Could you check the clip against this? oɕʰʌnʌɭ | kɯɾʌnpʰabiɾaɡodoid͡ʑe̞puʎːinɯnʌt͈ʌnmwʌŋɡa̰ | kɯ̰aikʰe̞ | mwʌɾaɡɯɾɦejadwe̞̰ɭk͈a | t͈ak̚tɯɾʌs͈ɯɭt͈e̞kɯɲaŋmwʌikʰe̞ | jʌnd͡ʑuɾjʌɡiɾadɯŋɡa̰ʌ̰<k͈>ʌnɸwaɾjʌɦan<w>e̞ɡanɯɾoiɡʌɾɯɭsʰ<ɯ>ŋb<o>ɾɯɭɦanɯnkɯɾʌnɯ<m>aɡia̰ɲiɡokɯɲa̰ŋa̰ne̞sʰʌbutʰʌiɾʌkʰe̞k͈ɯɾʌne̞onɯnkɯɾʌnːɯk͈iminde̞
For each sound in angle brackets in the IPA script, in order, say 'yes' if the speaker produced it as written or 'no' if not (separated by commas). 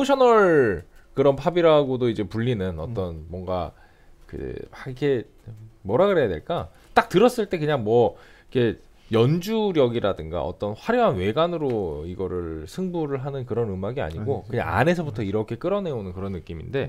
no, yes, yes, no, yes